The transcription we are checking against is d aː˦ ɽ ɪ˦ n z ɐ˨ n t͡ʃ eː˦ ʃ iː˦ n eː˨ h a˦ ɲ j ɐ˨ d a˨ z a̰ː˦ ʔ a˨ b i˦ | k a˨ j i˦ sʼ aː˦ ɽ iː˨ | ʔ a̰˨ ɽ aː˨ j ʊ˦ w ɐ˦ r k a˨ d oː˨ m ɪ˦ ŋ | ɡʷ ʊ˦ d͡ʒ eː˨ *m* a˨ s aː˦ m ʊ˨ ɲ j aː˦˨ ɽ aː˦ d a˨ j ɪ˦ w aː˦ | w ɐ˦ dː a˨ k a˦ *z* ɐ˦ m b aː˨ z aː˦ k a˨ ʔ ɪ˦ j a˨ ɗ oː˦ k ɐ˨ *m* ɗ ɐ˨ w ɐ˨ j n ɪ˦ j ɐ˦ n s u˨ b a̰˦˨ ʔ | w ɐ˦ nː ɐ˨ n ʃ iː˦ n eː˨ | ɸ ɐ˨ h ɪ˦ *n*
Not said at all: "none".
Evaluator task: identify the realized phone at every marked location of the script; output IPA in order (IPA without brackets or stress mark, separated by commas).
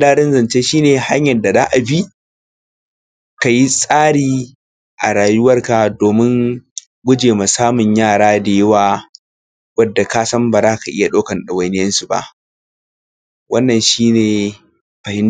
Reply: m, s, n, n